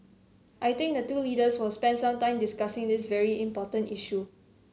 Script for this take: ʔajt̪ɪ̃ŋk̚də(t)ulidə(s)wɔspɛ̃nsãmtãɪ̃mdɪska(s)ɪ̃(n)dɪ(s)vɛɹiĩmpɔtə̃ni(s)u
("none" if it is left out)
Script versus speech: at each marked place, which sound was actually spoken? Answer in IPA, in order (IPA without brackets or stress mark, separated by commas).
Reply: t, s, s, ŋ, s, ʃ